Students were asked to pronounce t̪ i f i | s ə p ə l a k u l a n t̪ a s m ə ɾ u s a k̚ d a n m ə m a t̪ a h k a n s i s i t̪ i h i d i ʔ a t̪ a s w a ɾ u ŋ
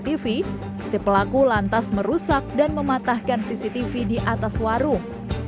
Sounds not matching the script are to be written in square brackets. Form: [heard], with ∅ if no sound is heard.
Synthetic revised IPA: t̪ i f i | s ə p ə l a k u l a n t̪ a s m ə ɾ u s a k̚ d a n m ə m a t̪ a h k a n s i s i t̪ i [f] i d i ʔ a t̪ a s w a ɾ u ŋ

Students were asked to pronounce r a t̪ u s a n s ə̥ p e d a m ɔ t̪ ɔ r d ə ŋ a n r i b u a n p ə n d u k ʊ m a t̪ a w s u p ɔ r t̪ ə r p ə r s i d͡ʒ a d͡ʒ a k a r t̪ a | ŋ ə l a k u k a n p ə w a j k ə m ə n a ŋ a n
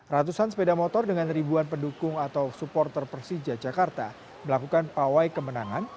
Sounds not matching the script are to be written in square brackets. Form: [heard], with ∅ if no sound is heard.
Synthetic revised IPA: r a t̪ u s a n s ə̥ p e d a m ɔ t̪ ɔ r d ə ŋ a n r i b u a n p ə n d u k ʊ [ŋ] a t̪ a w s u p ɔ r t̪ ə r p ə r s i d͡ʒ a d͡ʒ a k a r t̪ a | [m] ə l a k u k a n p [a] w a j k ə m ə n a ŋ a n

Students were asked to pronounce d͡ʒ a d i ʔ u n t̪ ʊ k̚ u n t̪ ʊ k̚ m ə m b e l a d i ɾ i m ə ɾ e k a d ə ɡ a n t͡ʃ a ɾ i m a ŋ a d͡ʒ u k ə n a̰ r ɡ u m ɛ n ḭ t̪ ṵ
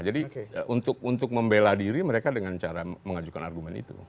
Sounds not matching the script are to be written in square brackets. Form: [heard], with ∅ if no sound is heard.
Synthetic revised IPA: d͡ʒ a d i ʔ u n t̪ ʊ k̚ u n t̪ ʊ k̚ m ə m b e l a d i ɾ i m ə ɾ e k a d ə [ŋ] a n t͡ʃ a ɾ [a] m [ə] ŋ a d͡ʒ u k [a] n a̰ r ɡ u m ɛ n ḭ t̪ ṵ

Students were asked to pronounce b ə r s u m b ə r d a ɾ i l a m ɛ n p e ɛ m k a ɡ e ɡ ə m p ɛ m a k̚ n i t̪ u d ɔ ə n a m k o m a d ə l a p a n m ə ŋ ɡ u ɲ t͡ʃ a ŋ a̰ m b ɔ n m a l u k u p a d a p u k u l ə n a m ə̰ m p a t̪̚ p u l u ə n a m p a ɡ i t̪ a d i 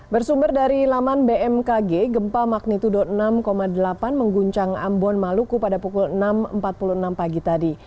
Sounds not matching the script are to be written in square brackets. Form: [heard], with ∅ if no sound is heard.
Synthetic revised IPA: b ə r s u m b ə r d a ɾ i l a m [a] n [b] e ɛ m k a ɡ e ɡ ə m p [a] m a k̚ n i t̪ u d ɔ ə n a m k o m a d ə l a p a n m ə ŋ ɡ u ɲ t͡ʃ a ŋ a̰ m b ɔ n m a l u k u p a d a p u k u l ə n a m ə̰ m p a t̪̚ p u l u ə n a m p a ɡ i t̪ a d i

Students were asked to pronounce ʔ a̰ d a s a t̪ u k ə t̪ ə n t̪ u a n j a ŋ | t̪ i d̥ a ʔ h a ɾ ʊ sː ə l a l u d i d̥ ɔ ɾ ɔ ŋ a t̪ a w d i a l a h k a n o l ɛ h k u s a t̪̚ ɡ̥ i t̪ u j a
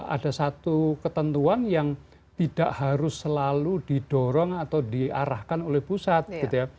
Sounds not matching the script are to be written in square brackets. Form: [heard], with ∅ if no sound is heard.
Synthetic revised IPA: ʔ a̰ d a s a t̪ u k ə t̪ ə n t̪ u a n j a ŋ | t̪ i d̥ a ʔ h a ɾ ʊ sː ə l a l u d i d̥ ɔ ɾ ɔ ŋ a t̪ a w d i a [ɾ] a h k a n o l ɛ h [p] u s a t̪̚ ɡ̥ i t̪ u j a

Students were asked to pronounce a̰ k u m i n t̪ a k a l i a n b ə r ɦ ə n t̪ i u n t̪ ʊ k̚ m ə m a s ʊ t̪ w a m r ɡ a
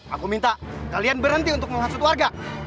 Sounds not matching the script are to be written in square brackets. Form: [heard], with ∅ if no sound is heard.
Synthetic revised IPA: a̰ k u m i n t̪ a k a l i a n b ə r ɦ ə n t̪ i u n t̪ ʊ k̚ m ə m a s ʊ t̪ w a [∅] r ɡ a

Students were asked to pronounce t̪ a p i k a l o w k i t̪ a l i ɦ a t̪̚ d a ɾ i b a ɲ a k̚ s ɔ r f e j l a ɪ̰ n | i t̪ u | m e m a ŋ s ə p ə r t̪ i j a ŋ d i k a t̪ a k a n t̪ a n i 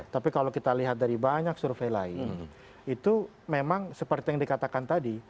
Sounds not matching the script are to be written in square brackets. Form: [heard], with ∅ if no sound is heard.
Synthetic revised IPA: t̪ a p i k a l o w k i t̪ a l i ɦ a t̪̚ d a ɾ i b a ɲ a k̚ s [u] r f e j l a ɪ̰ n | i t̪ u | m e m a ŋ s ə p ə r t̪ i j a ŋ d i k a t̪ a k a n t̪ a [d] i

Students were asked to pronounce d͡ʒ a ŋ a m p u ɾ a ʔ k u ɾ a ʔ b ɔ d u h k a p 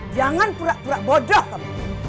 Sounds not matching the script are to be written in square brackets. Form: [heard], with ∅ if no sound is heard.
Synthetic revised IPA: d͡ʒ a ŋ a [n] p u ɾ a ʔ [p] u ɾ a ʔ b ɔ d [ɔ] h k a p

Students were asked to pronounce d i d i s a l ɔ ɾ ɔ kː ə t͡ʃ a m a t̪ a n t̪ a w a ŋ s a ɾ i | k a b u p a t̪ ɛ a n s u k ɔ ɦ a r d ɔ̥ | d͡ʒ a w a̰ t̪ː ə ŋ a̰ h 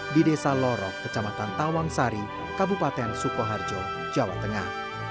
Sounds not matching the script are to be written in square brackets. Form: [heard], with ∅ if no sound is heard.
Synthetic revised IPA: d i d [e] s a l ɔ ɾ ɔ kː ə t͡ʃ a m a t̪ a n t̪ a w a ŋ s a ɾ i | k a b u p a t̪ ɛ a n s u k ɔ ɦ a r [d͡ʒ] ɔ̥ | d͡ʒ a w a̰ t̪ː ə ŋ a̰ h

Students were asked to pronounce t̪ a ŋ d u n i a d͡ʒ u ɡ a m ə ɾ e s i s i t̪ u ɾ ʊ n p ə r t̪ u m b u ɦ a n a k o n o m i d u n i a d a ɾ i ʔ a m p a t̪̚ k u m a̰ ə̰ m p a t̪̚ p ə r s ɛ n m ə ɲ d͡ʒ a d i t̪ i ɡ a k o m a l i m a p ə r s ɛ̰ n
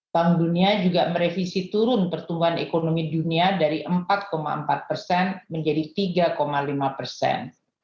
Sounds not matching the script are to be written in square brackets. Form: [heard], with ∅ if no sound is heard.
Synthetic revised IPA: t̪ a ŋ d u n i a d͡ʒ u ɡ a m ə ɾ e [f] i s i t̪ u ɾ ʊ n p ə r t̪ u m b u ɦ a n [e] k o n o m i d u n i a d a ɾ i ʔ [ə] m p a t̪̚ k [o] m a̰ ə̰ m p a t̪̚ p ə r s ɛ n m ə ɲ d͡ʒ a d i t̪ i ɡ a k o m a l i m a p ə r s ɛ̰ n

